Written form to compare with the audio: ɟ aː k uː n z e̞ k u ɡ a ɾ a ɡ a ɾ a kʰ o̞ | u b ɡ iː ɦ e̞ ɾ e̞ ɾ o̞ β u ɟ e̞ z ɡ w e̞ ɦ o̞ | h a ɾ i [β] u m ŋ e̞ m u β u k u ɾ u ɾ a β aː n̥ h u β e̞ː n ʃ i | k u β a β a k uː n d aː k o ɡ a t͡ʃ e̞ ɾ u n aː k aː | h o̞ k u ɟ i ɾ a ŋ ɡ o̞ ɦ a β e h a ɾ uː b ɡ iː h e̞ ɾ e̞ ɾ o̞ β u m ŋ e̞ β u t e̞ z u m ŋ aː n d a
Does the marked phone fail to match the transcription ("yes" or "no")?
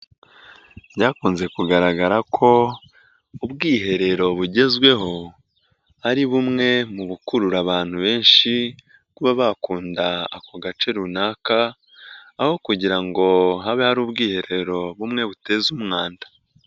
no